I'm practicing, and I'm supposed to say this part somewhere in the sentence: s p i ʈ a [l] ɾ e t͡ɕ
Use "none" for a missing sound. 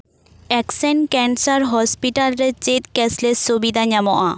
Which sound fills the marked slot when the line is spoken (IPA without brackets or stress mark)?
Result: l